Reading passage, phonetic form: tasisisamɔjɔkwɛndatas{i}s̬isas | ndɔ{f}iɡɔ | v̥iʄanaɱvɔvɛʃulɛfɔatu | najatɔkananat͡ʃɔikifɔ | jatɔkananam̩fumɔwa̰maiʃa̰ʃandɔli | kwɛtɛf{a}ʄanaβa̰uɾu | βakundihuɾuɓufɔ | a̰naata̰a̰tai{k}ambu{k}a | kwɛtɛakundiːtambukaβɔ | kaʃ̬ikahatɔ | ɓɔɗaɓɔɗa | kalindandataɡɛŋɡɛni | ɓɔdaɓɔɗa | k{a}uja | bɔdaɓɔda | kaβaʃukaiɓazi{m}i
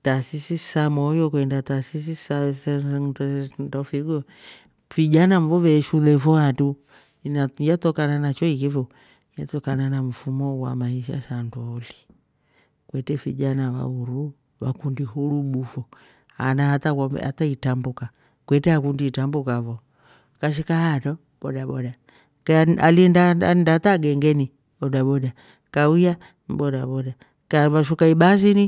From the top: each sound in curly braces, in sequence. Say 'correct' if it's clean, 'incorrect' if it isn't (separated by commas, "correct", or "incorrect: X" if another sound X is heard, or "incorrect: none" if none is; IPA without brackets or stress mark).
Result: correct, correct, incorrect: i, incorrect: t, correct, correct, incorrect: n